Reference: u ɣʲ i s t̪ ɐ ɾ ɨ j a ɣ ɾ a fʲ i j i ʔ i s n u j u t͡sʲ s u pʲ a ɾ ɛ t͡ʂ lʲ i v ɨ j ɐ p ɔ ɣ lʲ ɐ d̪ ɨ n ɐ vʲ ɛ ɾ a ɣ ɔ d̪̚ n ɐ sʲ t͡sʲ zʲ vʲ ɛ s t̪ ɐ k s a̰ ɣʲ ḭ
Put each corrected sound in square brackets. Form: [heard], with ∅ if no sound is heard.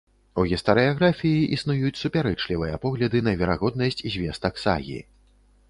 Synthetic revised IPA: u ɣʲ i s t̪ ɐ ɾ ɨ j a ɣ ɾ a fʲ i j i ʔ i s n u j u t͡sʲ s u pʲ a ɾ ɛ t͡ʂ lʲ i v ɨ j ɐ p ɔ ɣ lʲ ɐ d̪ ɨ n ɐ vʲ ɛ ɾ a ɣ ɔ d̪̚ n ɐ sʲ t͡sʲ zʲ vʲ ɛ s t̪ ɐ k s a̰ ɣʲ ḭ